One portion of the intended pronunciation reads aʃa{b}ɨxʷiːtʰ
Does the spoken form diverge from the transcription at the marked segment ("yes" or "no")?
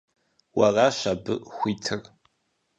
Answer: no